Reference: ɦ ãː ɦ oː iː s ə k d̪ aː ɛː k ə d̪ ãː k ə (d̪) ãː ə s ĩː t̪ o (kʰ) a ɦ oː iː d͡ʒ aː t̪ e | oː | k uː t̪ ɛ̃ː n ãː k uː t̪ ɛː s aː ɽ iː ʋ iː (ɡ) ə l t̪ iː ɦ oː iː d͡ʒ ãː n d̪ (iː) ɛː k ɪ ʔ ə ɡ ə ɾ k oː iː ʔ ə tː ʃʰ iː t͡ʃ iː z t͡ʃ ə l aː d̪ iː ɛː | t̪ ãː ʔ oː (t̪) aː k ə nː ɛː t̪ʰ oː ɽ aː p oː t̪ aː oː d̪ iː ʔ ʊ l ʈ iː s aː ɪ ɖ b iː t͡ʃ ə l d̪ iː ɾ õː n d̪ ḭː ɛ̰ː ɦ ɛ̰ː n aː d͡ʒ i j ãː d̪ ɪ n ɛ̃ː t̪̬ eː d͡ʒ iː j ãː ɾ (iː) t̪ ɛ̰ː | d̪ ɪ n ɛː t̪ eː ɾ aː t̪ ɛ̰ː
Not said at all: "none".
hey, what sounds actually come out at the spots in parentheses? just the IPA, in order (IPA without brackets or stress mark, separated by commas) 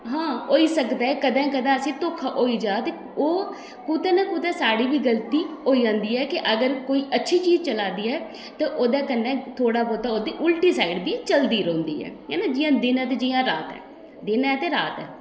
d̪, kʰ, ɡ, iː, d̪, aː